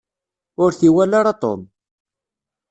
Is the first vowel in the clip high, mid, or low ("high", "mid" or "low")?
high